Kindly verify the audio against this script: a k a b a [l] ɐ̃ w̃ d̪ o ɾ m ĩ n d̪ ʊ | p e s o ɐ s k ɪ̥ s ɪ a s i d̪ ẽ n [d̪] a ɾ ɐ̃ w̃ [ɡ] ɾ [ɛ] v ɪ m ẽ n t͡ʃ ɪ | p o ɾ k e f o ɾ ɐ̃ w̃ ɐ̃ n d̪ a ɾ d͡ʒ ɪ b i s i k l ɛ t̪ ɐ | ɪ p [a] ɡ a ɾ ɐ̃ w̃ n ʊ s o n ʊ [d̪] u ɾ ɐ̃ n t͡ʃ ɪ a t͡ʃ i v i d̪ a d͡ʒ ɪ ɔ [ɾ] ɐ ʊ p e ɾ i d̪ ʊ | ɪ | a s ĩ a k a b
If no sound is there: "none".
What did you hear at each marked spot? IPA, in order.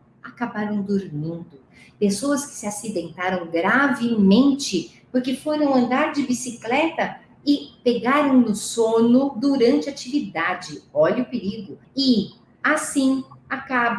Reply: ɾ, t̪, ɡ, a, e, d̪, ʎ

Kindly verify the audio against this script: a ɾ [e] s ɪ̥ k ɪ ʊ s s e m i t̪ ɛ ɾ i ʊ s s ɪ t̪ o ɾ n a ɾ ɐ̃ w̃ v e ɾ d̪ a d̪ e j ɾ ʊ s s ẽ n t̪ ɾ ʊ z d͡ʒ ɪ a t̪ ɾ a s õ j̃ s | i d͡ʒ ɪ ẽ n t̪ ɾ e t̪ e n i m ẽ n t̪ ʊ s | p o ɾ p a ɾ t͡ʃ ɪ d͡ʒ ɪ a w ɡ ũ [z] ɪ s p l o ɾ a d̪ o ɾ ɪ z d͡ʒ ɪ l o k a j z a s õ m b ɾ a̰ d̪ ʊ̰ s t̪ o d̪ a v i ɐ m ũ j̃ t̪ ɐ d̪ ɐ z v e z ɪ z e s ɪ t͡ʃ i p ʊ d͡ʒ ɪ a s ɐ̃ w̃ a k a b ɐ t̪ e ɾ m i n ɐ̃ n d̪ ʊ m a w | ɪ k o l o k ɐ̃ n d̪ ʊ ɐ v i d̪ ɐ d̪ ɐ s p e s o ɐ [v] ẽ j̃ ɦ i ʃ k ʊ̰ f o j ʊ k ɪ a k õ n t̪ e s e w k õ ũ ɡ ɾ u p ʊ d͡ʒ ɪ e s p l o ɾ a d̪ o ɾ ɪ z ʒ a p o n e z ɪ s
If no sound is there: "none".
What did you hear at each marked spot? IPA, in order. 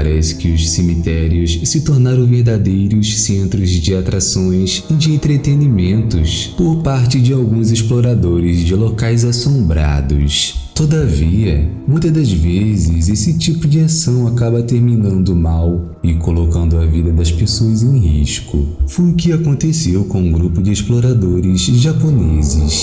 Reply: ɛ, z, z

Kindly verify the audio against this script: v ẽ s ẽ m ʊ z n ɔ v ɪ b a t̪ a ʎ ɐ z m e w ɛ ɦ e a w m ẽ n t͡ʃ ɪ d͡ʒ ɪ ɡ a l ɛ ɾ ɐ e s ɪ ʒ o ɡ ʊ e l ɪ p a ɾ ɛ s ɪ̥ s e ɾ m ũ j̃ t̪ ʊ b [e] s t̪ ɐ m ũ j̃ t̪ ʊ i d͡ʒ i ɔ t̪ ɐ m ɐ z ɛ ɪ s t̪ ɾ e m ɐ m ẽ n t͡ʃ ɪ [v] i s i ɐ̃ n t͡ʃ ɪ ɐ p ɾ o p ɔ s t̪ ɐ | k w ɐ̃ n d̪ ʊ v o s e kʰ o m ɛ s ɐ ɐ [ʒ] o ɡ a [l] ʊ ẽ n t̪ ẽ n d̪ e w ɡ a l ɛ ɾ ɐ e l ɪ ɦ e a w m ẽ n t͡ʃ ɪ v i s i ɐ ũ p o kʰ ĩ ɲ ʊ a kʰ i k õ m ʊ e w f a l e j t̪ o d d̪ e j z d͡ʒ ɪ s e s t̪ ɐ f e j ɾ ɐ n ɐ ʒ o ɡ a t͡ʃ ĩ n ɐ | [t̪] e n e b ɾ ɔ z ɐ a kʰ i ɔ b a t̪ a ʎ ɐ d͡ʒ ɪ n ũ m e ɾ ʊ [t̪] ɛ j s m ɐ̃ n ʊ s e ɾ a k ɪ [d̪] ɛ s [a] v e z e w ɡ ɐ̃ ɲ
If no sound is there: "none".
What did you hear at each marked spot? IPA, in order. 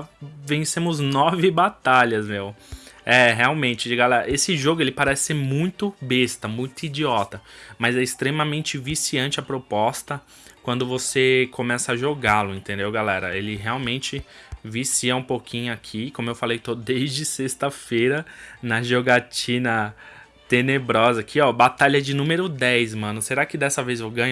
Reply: e, v, ʒ, l, t̪, d̪, d̪, ɐ

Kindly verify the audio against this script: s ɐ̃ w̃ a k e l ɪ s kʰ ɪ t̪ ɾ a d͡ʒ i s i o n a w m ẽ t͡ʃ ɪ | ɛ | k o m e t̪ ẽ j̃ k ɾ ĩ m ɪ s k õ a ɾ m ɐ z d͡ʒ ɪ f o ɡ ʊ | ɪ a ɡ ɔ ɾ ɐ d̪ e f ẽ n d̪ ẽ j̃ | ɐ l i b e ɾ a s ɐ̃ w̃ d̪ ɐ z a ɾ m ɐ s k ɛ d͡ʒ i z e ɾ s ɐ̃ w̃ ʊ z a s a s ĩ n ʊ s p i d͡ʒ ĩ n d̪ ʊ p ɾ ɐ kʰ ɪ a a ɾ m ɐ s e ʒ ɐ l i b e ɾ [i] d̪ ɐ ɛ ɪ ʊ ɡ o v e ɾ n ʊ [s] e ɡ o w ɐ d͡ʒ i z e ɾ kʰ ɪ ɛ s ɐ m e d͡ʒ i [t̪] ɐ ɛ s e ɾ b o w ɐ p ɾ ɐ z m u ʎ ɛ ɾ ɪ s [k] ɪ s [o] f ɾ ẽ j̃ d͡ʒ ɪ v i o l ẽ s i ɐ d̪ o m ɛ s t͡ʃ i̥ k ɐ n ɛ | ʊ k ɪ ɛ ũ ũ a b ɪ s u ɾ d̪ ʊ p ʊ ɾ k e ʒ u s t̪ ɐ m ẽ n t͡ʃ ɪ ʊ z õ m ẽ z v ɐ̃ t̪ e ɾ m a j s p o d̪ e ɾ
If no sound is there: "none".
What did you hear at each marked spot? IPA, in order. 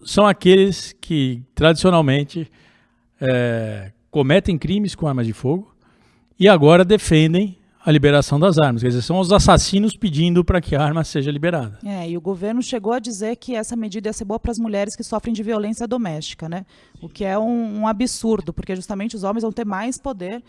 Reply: a, ʃ, d̪, k, ɔ

